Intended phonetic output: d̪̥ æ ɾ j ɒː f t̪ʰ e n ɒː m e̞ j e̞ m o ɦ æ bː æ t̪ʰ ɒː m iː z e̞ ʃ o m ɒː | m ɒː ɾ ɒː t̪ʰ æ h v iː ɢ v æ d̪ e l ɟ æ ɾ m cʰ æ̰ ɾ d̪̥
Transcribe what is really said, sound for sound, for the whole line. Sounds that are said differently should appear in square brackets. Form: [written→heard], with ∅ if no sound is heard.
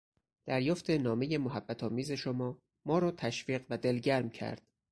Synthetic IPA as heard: d̪̥ æ ɾ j ɒː f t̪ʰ e n ɒː m e̞ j e̞ m o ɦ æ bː æ t̪ʰ ɒː m iː z e̞ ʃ o m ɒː | m ɒː ɾ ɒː t̪ʰ æ [h→ʃ] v iː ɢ v æ d̪ e l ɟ æ ɾ m cʰ æ̰ ɾ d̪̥